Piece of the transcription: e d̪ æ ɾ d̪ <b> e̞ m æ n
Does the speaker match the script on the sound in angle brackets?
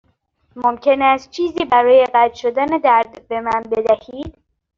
yes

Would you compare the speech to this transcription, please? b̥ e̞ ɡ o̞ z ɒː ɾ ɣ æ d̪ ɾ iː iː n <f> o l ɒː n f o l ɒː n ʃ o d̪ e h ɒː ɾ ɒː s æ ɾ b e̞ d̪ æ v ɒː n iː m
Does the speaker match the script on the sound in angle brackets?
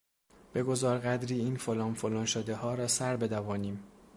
yes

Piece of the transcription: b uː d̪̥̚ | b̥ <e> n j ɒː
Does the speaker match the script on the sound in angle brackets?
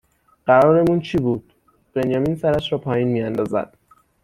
yes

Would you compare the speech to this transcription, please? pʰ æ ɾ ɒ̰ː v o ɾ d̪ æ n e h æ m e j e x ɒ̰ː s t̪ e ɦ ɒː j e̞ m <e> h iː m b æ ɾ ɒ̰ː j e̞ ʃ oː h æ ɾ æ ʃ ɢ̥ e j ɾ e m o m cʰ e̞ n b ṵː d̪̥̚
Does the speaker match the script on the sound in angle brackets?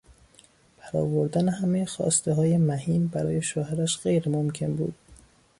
no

